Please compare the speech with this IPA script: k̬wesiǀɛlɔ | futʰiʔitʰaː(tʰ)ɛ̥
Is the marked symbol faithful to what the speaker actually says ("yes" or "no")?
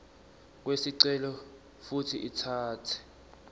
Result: yes